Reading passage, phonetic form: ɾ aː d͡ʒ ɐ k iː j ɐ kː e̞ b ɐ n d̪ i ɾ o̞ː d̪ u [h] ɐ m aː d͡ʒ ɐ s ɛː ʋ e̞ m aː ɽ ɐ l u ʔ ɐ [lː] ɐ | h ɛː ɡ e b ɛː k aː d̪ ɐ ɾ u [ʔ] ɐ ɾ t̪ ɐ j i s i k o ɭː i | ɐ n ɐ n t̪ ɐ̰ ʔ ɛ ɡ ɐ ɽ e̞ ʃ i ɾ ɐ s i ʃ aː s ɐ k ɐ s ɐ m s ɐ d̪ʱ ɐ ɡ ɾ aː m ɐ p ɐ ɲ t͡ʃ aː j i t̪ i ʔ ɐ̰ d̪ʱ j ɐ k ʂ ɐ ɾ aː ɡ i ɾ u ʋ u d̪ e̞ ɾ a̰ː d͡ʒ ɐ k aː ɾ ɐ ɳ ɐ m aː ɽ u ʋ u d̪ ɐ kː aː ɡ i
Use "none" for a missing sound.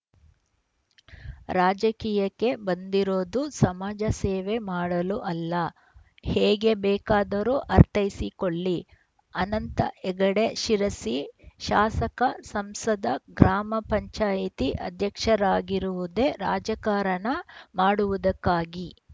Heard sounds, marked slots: s, lː, ʔ

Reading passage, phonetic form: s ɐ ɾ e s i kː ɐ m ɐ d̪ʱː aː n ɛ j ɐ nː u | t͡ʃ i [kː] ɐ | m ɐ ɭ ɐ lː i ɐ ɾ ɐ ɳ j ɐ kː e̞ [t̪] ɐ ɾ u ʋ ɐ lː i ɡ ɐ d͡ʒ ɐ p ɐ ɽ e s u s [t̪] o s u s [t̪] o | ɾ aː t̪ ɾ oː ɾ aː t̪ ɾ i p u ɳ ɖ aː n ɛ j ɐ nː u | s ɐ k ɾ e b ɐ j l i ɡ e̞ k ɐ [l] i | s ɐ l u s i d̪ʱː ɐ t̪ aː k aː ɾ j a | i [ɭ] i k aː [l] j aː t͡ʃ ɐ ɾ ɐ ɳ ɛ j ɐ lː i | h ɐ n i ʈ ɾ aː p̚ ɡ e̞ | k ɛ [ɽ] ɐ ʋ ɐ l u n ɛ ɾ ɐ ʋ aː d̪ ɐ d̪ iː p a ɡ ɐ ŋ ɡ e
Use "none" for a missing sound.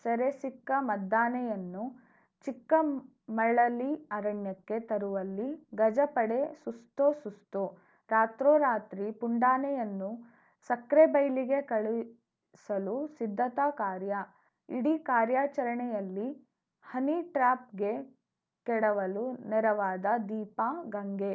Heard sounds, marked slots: kː, t̪, t̪, t̪, ɭ, ɽ, ɾ, ɽ

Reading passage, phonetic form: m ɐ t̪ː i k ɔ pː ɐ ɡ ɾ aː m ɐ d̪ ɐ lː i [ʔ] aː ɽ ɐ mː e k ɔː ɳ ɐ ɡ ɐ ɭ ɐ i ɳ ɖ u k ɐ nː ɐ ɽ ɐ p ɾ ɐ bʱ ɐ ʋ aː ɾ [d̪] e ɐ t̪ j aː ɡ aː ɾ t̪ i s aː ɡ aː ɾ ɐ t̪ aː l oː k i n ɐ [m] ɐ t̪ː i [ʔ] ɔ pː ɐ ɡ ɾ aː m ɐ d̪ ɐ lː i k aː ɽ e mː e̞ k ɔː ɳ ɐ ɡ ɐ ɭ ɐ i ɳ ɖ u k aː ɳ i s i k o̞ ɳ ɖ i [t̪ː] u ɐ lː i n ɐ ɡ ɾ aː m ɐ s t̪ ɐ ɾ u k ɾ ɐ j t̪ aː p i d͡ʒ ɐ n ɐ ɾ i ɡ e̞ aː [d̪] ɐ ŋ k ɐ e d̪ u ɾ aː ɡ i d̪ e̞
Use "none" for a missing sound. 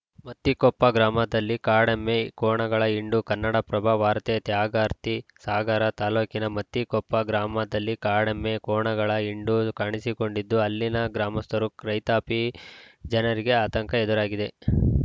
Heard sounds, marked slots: k, t̪, m, k, d̪ː, t̪

